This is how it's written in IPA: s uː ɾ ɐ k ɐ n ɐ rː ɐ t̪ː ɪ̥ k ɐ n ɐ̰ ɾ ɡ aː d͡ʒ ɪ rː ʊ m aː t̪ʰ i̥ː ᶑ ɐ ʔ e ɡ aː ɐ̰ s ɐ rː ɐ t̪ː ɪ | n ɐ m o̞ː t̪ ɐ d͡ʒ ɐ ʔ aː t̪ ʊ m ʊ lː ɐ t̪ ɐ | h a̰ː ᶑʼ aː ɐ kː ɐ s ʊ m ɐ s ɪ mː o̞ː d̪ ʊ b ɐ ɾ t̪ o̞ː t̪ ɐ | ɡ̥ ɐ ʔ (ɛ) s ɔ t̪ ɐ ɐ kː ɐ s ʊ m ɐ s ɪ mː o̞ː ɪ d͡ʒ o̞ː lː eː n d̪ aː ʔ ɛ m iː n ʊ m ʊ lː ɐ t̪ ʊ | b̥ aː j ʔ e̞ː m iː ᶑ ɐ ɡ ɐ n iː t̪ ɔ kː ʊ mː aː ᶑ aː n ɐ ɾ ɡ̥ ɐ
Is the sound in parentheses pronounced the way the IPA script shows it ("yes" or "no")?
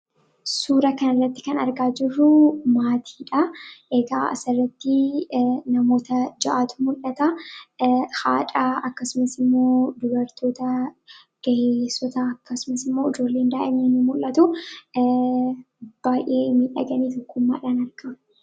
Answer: no